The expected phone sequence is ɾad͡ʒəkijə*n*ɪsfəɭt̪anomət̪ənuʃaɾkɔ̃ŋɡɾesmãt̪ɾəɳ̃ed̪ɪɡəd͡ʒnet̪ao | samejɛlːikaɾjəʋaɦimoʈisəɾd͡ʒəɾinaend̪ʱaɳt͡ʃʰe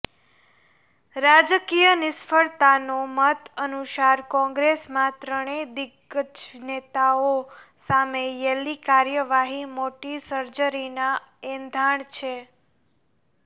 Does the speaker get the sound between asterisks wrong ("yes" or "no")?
no